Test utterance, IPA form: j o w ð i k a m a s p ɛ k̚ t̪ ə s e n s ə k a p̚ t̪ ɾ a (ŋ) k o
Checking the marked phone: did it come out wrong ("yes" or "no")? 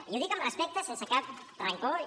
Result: no